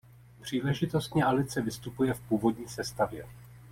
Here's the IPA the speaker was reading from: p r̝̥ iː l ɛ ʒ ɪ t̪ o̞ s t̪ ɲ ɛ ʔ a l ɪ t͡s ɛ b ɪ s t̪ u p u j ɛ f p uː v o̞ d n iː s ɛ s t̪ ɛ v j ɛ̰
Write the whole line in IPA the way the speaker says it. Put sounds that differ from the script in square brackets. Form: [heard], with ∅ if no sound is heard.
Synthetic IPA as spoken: p r̝̥ iː l ɛ ʒ ɪ t̪ o̞ s t̪ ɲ ɛ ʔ a l ɪ t͡s ɛ [v] ɪ s t̪ u p u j ɛ f p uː v o̞ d [ɲ] iː s ɛ s t̪ [a] v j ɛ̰